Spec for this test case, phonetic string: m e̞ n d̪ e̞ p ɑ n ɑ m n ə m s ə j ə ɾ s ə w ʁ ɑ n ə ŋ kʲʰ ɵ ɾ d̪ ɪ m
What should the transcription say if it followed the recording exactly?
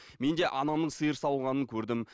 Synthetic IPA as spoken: m e̞ n d̪ e̞ ʔ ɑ n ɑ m n ə ɴ s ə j ə ɾ s ɑ w ʁ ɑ n ə ŋ kʲʰ ɵ ɾ d̪ ɪ m